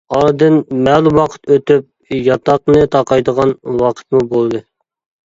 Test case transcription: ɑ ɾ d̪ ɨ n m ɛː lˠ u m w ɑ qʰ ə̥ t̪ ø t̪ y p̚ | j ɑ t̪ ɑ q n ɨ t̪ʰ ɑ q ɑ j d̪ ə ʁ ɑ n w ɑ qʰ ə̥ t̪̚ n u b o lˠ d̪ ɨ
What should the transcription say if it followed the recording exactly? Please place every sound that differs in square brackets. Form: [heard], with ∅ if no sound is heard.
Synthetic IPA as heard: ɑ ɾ d̪ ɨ n m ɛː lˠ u m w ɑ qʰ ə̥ t̪ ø t̪ y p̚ | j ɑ t̪ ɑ q n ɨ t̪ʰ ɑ q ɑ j d̪ ə ʁ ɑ n w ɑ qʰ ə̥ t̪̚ [m] u b o lˠ d̪ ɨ